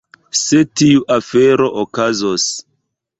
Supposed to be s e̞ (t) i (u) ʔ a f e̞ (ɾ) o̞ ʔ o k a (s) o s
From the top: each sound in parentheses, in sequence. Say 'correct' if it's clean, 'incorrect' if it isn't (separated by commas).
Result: correct, correct, correct, incorrect